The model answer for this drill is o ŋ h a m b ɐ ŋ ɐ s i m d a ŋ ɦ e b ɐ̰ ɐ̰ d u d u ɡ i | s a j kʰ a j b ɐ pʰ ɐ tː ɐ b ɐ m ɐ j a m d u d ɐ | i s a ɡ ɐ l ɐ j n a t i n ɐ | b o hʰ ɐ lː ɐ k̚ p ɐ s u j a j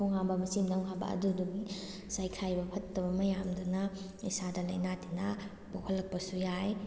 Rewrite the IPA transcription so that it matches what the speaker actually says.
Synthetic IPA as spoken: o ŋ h a m b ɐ m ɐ s i m d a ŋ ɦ a b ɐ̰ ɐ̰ d u d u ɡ i | s a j kʰ a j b ɐ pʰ ɐ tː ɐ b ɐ m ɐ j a m d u n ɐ | i s a d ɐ l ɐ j n a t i n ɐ | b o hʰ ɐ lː ɐ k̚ p ɐ s u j a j

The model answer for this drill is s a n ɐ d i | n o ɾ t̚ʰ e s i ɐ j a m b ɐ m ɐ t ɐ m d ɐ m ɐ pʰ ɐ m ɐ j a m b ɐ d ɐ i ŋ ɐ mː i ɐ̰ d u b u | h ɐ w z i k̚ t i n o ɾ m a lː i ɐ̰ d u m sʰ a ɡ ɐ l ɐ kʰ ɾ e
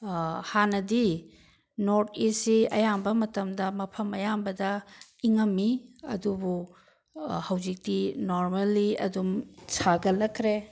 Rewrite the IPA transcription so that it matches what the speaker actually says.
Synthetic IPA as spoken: h a n ɐ d i | n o ɾ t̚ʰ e s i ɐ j a m b ɐ m ɐ t ɐ m d ɐ m ɐ pʰ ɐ m ɐ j a m b ɐ d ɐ i ŋ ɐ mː i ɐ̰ d u b u | h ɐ w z i k̚ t i n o ɾ m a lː i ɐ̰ d u m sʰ a ɡ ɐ l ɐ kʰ ɾ e

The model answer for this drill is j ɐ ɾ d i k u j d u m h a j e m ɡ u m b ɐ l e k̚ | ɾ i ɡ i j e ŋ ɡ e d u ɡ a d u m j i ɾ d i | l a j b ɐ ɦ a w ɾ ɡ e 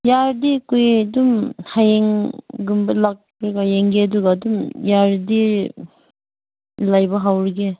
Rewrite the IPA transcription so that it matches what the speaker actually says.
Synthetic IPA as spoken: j a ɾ d i k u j d u m h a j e ŋ ɡ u m b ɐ l a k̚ | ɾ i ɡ a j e ŋ ɡ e d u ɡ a d u m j a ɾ d i | l a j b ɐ ɦ a w ɾ ɡ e

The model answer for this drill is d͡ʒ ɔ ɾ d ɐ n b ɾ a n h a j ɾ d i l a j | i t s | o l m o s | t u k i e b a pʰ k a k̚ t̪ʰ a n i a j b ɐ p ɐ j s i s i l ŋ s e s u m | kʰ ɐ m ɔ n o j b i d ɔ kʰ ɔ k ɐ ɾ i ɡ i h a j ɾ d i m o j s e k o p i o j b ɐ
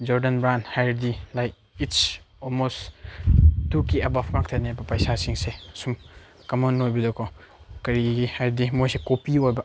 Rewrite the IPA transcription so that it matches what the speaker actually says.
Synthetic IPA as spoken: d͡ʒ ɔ ɾ d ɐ n b ɾ a n h a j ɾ d i l a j | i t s | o l m o s | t u k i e b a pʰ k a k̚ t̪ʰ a n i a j b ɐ p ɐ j s a s i ŋ s e s u m | k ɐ m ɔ n o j b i d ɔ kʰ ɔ k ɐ ɾ i ɡ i h a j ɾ d i m o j s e k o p i o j b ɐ

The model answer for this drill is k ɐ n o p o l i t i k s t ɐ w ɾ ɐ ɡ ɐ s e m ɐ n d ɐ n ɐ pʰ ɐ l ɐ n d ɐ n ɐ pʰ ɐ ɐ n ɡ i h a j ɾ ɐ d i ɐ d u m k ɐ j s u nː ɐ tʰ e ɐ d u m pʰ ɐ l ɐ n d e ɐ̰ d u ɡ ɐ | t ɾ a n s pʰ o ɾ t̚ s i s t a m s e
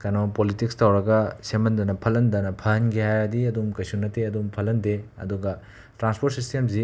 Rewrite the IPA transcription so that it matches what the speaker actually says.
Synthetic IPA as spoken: k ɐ n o p o l i t i k s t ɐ w ɾ ɐ ɡ ɐ s e m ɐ n d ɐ n ɐ pʰ ɐ l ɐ n d ɐ n ɐ pʰ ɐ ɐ n ɡ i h a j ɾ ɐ d i ɐ d u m k ɐ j s u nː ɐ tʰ e ɐ d u m pʰ ɐ l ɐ n d e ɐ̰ d u ɡ ɐ | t ɾ a n s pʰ o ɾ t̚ s i s t e m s i

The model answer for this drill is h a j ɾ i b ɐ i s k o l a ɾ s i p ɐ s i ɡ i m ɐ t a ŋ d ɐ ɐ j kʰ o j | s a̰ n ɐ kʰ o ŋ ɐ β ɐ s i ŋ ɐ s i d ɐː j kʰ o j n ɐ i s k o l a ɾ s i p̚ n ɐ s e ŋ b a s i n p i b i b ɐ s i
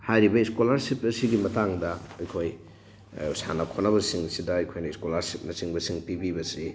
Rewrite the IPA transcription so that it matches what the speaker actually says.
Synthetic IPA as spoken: h a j ɾ i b ɐ i s k o l a ɾ s i p ɐ s i ɡ i m ɐ t a ŋ d ɐ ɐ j kʰ o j | s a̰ n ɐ kʰ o n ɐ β ɐ s i ŋ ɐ s i d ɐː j kʰ o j n ɐ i s k o l a ɾ s i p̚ n ɐ s i ŋ b ɐ s i ŋ p i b i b ɐ s i

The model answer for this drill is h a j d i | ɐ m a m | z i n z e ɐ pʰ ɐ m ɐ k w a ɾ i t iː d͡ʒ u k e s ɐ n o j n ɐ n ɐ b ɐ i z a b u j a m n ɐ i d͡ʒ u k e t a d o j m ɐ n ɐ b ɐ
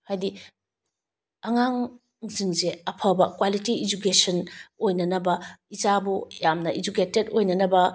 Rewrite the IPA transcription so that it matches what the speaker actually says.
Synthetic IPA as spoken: h a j d i | ɐ ŋ a ŋ | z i ŋ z e ɐ pʰ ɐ b ɐ k w a l i t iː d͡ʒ u k e s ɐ n o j n ɐ n ɐ b ɐ i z a b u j a m n ɐ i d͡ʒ u k e t e d o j n ɐ n ɐ b ɐ

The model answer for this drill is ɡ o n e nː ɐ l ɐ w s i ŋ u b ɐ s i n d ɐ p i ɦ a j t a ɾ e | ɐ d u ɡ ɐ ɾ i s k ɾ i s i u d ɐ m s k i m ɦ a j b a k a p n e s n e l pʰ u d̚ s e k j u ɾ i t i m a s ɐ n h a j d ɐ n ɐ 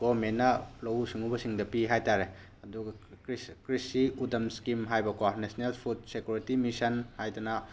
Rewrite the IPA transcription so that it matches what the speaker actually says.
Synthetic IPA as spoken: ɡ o m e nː ɐ l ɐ w s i ŋ u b ɐ s i ŋ d ɐ p i ɦ a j t a ɾ e | ɐ d u ɡ ɐ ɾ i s k ɾ i s i u d ɐ m s k i m ɦ a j b ɐ k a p n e s n e l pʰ u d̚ s e k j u ɾ i t i m i s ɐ n h a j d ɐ n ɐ

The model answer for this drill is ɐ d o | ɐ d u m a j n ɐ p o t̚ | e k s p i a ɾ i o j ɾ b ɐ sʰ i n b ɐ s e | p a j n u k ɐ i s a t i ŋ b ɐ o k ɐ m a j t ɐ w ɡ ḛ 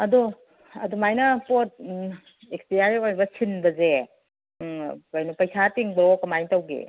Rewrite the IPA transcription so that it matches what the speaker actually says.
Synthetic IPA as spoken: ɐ d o | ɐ d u m a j n ɐ p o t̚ | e k s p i a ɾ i o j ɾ b ɐ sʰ i n b ɐ z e | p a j n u p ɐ j s a t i ŋ b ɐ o k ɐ m a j t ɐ w ɡ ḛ

